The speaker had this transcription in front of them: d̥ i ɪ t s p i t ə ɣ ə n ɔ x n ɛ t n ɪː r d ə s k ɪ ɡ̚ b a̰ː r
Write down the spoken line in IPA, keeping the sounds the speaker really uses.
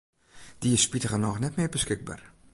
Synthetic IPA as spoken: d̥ i ɪ s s p i t ə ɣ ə n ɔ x n ɛ t m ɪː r b ə s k ɪ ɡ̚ b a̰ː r